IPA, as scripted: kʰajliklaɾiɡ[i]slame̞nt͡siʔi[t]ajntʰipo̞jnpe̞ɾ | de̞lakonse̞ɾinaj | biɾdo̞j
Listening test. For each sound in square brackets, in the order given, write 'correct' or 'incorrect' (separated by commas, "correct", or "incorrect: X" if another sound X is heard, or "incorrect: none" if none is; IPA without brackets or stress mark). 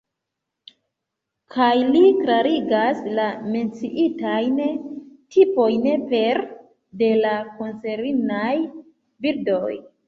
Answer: incorrect: a, correct